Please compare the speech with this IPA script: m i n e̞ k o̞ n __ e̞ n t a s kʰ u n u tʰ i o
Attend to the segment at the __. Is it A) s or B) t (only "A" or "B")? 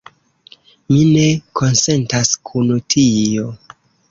A